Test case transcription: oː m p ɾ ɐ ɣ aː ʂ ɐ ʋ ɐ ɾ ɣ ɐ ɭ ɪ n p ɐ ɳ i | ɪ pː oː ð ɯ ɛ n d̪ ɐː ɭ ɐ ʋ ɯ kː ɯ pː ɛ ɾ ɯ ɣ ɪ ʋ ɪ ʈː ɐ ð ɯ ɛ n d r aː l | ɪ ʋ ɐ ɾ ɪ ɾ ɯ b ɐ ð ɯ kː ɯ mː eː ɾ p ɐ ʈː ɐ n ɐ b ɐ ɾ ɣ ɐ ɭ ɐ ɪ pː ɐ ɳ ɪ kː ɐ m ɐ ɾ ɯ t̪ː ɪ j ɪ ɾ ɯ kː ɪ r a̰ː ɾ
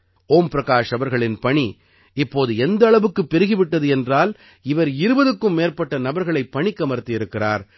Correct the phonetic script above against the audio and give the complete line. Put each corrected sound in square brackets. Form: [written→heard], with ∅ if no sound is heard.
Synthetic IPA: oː m p ɾ ɐ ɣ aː ʂ ɐ ʋ ɐ ɾ ɣ ɐ ɭ ɪ n p ɐ ɳ i | ɪ pː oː ð ɯ ɛ n d̪ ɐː ɭ ɐ ʋ ɯ kː ɯ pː ɛ ɾ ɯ ɣ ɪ ʋ ɪ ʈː ɐ ð ɯ ɛ n d r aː l | ɪ ʋ ɐ ɾ ɪ ɾ ɯ b ɐ ð ɯ kː ɯ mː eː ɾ p ɐ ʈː ɐ n ɐ b ɐ ɾ ɣ ɐ ɭ ɐ ɪ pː ɐ ɳ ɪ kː ɐ m ɐ ɾ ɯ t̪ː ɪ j ɪ ɾ ɯ kː ɪ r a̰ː ɾ